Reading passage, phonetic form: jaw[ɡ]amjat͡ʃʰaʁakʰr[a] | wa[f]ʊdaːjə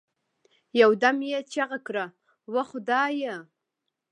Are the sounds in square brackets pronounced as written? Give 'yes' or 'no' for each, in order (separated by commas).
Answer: no, yes, no